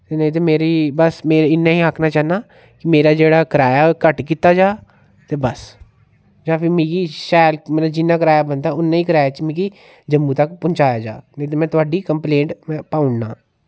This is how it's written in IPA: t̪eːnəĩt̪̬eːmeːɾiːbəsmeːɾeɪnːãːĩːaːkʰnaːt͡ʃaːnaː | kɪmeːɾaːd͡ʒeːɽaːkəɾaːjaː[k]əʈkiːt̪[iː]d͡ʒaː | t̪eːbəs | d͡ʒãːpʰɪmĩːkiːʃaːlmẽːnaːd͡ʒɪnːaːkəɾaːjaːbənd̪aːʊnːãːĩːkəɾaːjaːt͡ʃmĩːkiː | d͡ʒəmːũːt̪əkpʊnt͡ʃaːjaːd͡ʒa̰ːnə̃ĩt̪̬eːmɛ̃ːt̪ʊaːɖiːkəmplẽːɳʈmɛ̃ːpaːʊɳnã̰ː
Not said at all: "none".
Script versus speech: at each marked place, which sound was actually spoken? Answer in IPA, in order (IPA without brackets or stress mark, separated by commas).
k, aː